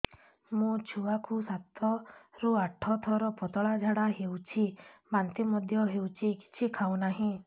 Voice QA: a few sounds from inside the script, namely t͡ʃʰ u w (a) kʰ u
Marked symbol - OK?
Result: yes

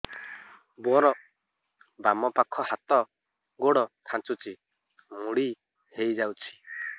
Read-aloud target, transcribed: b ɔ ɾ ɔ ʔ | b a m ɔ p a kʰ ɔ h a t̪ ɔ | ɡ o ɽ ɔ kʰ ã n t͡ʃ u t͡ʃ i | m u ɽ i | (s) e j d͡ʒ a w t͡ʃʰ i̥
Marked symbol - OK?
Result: no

